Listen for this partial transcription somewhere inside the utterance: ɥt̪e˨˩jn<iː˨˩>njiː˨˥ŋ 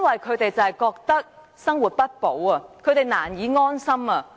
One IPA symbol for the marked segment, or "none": aː˨˩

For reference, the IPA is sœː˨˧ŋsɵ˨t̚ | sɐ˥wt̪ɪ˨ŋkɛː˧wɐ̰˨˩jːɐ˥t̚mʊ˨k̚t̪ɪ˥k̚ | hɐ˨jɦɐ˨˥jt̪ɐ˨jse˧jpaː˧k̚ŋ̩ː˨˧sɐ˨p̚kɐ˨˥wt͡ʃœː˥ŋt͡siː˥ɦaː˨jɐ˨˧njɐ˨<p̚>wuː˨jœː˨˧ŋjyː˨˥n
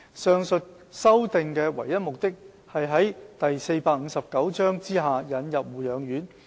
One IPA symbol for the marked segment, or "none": p̚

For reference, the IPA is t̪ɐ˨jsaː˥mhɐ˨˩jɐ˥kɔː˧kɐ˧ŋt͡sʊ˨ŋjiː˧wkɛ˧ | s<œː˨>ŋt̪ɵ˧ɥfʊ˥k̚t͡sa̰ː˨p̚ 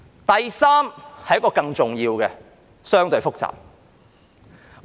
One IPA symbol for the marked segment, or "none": œː˥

